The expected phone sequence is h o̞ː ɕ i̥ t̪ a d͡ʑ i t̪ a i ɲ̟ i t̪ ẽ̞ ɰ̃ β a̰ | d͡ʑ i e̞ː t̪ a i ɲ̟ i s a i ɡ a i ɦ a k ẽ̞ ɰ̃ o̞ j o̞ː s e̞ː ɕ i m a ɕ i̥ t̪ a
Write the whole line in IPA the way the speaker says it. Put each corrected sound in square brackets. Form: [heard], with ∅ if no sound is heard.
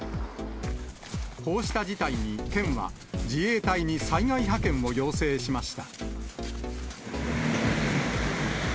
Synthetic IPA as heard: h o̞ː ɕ i̥ t̪ a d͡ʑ i t̪ a i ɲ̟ i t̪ ẽ̞ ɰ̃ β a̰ | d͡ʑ i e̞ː t̪ a i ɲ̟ i s a i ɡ a i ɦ a k ẽ̞ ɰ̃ o̞ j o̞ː s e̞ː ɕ i m a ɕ i̥ t̪ a